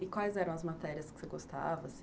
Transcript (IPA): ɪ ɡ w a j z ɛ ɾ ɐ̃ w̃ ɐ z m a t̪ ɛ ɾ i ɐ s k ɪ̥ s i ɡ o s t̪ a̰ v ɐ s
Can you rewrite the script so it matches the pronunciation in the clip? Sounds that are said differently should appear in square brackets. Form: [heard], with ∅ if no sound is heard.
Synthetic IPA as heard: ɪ [k] w a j z ɛ ɾ ɐ̃ w̃ ɐ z m a t̪ ɛ ɾ i ɐ s k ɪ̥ s [e] ɡ o s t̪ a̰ v ɐ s